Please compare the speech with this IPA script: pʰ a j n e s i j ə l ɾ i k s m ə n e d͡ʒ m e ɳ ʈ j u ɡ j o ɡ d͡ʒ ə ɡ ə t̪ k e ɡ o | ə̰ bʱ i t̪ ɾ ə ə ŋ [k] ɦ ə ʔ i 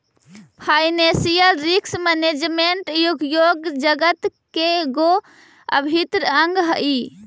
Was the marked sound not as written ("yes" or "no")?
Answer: yes